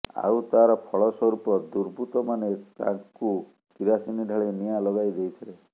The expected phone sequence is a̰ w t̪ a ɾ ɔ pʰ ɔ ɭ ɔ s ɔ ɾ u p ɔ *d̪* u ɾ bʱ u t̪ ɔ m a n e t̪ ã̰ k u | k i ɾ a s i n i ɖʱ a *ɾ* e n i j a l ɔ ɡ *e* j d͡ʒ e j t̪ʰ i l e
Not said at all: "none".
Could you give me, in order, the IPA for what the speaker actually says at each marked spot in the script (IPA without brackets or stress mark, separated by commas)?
d̪, ɭ, a